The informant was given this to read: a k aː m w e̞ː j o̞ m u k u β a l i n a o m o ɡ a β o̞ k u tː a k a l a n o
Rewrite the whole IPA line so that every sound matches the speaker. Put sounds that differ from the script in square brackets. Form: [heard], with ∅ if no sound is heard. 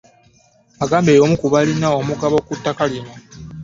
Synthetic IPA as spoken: a [ɡ] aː m [b] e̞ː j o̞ m u k u β a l i n a o m [u] ɡ a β o̞ k u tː a k a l [i] n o